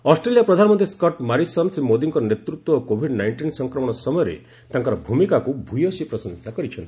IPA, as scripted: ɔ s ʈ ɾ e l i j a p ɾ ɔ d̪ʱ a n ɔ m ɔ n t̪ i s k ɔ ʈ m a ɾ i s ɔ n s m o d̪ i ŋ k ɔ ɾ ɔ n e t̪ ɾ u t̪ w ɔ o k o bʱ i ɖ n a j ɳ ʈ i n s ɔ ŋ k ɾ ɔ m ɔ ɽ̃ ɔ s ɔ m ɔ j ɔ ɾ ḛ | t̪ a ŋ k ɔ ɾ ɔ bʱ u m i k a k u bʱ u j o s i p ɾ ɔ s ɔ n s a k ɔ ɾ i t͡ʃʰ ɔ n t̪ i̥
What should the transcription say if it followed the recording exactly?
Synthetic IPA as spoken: ɔ s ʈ ɾ e l i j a p ɾ ɔ d̪ʱ a n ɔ m ɔ n t̪ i s k ɔ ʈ m a ɾ i s ɔ n s m o d̪ i ŋ k ɔ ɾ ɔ n e t̪ ɾ u t̪ w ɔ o k o bʱ i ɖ n a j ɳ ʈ i n s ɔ ŋ k ɾ ɔ m ɔ ɽ̃ ɔ s ɔ m ɔ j ɔ ɾ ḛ | t̪ a ŋ k ɔ ɾ ɔ bʱ u m i k a k u bʱ u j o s i p ɾ ɔ s ɔ n s a k ɔ ɾ i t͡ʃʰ ɔ n t̪ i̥